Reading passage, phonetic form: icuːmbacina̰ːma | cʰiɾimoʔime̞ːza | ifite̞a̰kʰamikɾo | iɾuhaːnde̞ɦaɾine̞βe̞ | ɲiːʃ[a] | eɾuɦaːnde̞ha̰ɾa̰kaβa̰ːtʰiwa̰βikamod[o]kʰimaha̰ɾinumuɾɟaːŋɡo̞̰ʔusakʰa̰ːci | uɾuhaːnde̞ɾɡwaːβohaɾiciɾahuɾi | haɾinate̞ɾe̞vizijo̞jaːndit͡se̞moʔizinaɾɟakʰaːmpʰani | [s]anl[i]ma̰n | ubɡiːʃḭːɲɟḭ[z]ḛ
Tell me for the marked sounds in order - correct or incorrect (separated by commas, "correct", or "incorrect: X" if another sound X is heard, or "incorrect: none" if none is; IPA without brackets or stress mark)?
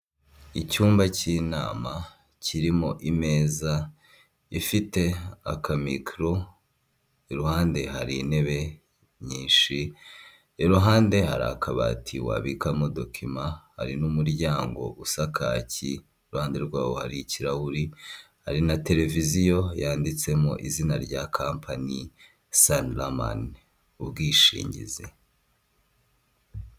incorrect: i, correct, correct, incorrect: a, correct